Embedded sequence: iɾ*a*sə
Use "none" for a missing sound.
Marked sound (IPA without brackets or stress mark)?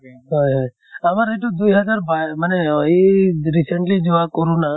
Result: i